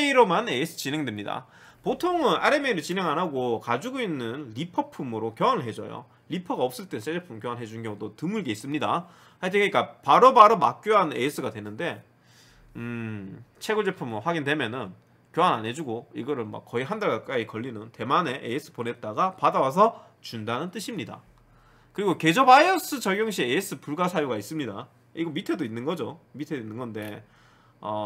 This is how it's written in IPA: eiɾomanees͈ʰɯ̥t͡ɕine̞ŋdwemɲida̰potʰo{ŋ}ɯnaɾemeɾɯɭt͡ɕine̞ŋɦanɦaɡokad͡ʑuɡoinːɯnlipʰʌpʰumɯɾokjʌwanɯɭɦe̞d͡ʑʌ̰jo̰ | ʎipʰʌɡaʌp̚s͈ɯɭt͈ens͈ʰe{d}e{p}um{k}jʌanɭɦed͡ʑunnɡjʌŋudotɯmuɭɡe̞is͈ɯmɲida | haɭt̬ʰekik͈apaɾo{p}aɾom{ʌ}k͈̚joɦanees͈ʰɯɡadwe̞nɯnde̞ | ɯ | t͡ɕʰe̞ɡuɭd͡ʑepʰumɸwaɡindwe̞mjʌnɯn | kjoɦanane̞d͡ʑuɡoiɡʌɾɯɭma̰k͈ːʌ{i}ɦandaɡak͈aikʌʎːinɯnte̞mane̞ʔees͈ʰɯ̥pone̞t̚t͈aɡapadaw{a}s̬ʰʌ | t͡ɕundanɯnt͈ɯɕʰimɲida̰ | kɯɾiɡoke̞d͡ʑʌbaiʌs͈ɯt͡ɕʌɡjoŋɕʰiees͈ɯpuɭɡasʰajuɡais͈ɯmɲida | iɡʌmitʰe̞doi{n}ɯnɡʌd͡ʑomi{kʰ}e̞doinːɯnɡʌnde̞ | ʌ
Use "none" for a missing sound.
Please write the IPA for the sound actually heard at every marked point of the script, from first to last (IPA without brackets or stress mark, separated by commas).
ŋ, d͡ʑ, pʰ, k, b, a, i, a, nː, tʰ